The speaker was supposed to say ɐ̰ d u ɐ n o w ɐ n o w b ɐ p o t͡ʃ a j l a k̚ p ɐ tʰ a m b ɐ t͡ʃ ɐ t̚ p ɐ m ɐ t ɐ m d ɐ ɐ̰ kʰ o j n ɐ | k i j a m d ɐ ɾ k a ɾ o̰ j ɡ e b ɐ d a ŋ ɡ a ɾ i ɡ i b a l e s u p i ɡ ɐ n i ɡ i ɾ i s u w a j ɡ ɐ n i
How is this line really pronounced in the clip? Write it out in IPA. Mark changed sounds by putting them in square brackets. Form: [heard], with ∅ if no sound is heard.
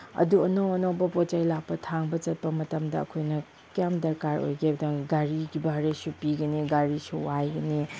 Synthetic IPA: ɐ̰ d u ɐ n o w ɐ n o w b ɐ p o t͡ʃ a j l a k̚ p ɐ tʰ a [ŋ] b ɐ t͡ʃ ɐ t̚ p ɐ m ɐ t ɐ m d ɐ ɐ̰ kʰ o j n ɐ | k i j a m d ɐ ɾ k a ɾ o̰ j ɡ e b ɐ d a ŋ ɡ a ɾ i ɡ i b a [ɾ] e s u p i ɡ ɐ n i ɡ [a] ɾ i s u w a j ɡ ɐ n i